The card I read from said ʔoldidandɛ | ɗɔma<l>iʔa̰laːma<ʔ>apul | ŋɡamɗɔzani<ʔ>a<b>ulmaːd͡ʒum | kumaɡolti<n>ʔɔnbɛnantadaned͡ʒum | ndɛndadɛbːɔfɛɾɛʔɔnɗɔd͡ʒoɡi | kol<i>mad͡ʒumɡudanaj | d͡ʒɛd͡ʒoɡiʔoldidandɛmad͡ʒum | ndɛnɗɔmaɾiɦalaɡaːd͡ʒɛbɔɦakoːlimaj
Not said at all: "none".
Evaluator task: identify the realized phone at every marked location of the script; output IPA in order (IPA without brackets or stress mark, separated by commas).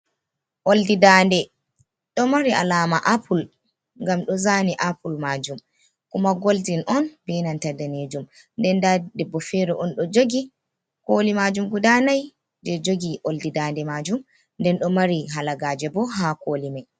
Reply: ɾ, ʔ, ʔ, p, n, i